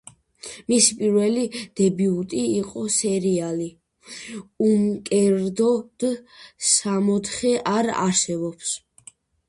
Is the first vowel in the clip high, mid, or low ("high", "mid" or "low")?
high